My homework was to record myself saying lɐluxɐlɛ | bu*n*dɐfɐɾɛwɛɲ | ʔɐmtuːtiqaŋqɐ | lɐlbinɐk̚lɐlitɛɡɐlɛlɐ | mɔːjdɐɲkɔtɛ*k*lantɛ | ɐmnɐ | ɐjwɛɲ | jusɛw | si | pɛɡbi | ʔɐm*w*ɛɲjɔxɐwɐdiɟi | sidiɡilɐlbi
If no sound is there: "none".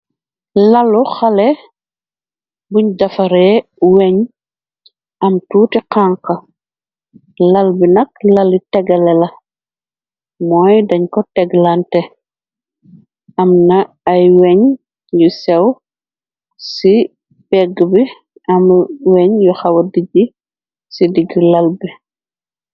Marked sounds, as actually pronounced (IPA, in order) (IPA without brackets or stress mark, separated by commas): ɲ, ɡ, w